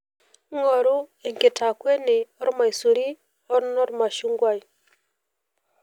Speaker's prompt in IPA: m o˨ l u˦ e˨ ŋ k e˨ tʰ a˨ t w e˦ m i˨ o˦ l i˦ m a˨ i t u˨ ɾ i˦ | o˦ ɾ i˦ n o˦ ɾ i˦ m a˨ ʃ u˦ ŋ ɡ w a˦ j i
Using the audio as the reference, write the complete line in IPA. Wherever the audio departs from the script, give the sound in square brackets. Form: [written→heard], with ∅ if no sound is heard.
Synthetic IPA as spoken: [m→ŋ] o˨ [l→ɾ] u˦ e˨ ŋ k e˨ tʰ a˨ [t→k] w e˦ [m→n] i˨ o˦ [l→ɾ] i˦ m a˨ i [t→s] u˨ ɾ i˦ | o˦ ɾ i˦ n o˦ ɾ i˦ m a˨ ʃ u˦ ŋ ɡ w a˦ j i